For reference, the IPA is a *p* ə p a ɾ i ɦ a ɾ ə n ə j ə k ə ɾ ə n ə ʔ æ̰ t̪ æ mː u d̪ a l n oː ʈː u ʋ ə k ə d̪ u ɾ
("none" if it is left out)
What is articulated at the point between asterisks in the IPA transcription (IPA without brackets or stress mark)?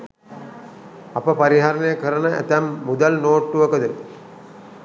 p